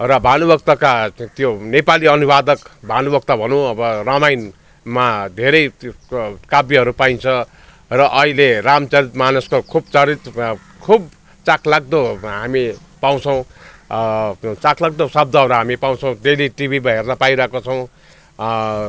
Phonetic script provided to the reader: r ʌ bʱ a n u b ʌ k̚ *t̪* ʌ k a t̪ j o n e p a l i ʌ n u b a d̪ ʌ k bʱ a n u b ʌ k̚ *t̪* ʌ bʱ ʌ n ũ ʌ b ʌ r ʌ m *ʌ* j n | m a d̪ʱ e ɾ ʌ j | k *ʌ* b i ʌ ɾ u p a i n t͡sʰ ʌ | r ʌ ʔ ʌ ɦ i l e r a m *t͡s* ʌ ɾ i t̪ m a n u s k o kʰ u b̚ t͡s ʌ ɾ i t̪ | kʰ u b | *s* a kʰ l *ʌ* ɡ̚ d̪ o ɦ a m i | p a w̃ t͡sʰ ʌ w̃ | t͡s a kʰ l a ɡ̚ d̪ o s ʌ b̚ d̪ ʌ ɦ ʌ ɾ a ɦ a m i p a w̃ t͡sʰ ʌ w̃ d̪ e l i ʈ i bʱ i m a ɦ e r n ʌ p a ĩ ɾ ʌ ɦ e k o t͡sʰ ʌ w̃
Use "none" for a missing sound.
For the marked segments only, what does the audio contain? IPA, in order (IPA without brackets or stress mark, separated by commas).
t̪, t̪, a, a, t͡s, t͡s, a